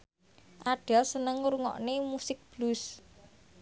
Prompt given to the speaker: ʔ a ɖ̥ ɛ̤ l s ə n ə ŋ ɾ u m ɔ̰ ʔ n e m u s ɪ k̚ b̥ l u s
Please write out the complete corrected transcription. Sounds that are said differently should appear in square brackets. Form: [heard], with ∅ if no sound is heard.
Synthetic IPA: ʔ a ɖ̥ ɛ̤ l s ə n ə ŋ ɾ u [ŋ] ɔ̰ ʔ n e m u s ɪ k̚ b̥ l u s